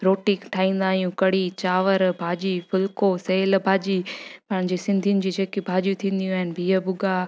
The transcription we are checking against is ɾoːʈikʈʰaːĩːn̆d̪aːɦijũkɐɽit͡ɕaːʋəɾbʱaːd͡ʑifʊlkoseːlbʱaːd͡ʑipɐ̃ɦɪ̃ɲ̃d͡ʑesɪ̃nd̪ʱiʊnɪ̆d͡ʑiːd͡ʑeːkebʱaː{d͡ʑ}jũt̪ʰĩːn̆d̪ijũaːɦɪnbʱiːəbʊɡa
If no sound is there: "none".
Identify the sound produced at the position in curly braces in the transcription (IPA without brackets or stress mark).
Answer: d͡ʑ